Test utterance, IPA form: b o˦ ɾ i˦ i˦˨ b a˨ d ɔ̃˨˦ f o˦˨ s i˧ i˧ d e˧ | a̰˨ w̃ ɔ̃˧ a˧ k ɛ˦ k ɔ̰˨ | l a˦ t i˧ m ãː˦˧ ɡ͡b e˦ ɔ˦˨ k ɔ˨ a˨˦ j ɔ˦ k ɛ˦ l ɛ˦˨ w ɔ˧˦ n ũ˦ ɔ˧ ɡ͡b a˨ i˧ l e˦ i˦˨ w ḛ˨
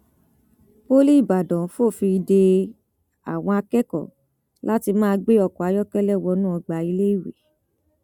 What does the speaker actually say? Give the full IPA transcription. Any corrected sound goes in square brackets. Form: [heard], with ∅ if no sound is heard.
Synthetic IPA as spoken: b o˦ [l] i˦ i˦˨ b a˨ d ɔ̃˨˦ f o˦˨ [f] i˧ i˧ d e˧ | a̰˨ w̃ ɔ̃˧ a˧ k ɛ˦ k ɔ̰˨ | l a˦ t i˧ m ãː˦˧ ɡ͡b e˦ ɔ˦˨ k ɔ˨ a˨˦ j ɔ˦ k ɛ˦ l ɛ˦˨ w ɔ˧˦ n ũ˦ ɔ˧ ɡ͡b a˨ i˧ l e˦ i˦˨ w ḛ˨